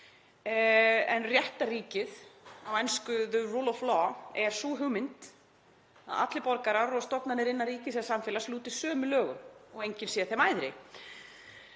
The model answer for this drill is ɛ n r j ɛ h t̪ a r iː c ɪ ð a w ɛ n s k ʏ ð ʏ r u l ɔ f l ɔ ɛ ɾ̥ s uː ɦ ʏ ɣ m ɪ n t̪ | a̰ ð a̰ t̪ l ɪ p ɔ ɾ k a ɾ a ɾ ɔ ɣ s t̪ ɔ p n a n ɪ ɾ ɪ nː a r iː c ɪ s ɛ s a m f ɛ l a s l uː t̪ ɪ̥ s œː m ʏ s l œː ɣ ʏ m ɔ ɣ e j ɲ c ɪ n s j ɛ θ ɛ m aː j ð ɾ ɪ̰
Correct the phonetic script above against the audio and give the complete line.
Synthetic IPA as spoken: ɛ n r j ɛ h t̪ a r iː c ɪ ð a w ɛ n s k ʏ ð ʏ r u l ɔ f l ɔ ɛ ɾ̥ s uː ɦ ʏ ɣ m ɪ n t̪ | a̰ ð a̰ t̪ l ɪ p ɔ ɾ k a ɾ a ɾ ɔ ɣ s t̪ ɔ p n a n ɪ ɾ ɪ nː a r iː c ɪ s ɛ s a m f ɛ l a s l uː t̪ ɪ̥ s œː m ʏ l œː ɣ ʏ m ɔ ɣ e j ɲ c ɪ n s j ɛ θ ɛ m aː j ð ɾ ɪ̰